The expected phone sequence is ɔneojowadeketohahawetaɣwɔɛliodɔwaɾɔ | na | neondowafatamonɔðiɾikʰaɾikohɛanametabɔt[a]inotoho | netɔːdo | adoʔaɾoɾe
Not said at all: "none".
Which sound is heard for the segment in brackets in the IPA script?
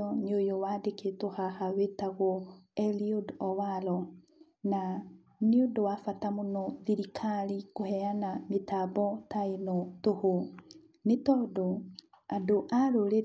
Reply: a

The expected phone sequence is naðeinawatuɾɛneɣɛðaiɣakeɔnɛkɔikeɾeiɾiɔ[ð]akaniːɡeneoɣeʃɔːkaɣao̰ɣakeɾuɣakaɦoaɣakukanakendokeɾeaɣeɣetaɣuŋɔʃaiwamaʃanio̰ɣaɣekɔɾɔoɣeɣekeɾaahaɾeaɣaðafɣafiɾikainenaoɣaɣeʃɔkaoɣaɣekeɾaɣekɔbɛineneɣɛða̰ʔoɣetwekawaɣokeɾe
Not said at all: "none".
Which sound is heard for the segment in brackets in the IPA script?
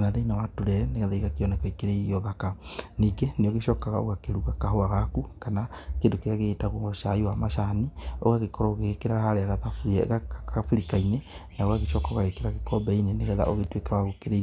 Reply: ð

